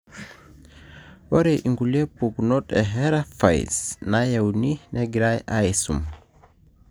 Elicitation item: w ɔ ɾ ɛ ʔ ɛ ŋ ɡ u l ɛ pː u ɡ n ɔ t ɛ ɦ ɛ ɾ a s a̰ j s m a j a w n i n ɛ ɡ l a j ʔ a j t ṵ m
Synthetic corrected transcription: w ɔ ɾ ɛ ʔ i ŋ ɡ u l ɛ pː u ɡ n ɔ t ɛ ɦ ɛ ɾ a f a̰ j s n a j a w n i n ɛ ɡ ɾ a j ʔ a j s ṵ m